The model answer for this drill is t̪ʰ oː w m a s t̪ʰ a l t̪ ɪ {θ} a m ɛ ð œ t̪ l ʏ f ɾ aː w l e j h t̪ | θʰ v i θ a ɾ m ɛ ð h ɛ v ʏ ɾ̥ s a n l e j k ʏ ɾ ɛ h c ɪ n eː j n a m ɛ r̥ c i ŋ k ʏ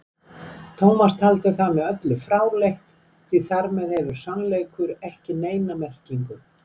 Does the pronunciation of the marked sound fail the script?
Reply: no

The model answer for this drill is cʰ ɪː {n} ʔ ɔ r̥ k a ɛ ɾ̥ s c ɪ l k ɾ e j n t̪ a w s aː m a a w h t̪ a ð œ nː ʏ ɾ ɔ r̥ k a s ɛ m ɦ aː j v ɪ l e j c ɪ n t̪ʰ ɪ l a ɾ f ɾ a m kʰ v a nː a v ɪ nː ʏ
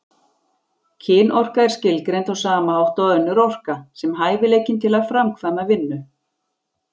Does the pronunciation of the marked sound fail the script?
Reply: no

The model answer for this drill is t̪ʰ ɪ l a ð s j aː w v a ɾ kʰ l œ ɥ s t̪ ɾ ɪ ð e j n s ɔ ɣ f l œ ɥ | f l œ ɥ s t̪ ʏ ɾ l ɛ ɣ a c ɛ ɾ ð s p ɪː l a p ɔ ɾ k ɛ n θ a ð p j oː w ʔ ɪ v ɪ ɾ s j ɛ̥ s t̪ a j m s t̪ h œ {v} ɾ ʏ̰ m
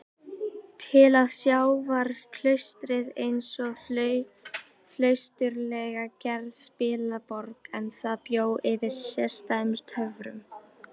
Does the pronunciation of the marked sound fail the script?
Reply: no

